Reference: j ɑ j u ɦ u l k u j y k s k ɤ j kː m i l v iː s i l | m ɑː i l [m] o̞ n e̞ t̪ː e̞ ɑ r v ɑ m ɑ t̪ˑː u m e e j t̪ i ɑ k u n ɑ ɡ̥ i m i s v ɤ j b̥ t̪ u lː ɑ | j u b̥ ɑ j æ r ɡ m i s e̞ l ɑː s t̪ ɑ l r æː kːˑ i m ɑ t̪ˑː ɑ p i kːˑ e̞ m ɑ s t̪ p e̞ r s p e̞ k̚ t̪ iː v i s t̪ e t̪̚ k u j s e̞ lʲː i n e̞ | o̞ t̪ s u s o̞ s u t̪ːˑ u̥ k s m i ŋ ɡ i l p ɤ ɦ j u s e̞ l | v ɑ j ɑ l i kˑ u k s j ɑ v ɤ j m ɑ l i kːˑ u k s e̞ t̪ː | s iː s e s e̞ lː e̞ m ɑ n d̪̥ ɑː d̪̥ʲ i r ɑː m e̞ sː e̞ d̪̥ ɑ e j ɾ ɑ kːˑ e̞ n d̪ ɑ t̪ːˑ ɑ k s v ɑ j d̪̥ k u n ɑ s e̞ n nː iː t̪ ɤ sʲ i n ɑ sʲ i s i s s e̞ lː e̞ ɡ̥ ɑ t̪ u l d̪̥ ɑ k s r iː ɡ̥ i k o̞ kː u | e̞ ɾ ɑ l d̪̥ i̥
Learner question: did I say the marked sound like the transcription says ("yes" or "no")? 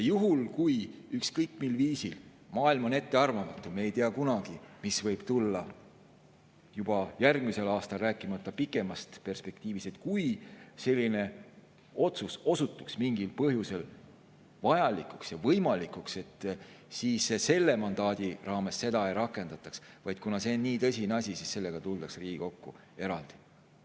yes